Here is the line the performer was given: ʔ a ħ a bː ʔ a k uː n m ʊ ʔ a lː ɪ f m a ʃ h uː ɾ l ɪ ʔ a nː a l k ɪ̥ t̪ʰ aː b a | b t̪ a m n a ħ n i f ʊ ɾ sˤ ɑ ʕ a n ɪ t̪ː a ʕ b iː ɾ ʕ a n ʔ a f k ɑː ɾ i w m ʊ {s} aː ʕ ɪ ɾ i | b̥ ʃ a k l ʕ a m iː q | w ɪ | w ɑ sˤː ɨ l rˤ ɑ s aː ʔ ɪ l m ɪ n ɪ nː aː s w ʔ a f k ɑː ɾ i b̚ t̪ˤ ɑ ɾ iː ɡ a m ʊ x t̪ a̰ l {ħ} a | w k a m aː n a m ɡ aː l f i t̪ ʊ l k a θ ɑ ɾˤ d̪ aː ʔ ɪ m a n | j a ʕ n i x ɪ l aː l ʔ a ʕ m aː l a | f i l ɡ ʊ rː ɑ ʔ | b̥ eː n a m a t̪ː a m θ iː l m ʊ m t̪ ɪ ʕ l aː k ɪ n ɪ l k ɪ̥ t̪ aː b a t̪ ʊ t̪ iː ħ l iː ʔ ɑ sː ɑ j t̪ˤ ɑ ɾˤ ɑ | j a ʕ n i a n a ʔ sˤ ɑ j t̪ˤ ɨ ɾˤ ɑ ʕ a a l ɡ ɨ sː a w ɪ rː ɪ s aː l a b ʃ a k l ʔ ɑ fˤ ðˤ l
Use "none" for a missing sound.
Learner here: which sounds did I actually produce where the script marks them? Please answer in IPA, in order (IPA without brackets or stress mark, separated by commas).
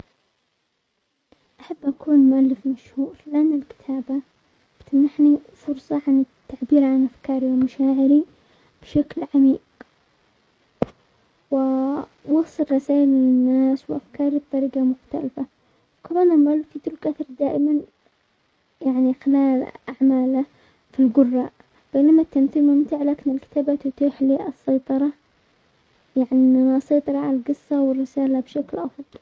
ʃ, f